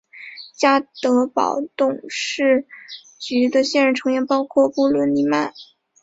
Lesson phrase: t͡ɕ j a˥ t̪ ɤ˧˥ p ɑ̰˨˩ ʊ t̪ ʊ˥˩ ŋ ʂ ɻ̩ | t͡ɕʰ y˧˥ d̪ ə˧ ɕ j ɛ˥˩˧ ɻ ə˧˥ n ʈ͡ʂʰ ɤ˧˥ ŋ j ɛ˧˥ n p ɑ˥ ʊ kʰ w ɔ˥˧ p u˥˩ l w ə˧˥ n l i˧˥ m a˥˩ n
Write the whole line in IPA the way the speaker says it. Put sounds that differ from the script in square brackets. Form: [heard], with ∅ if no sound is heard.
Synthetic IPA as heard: t͡ɕ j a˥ t̪ ɤ˧˥ p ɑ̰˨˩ ʊ t̪ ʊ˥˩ ŋ ʂ ɻ̩ | [t͡ɕ] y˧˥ d̪ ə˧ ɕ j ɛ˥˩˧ ɻ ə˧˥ n ʈ͡ʂʰ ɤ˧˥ ŋ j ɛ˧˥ n p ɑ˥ ʊ kʰ w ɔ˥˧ p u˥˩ l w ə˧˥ n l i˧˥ m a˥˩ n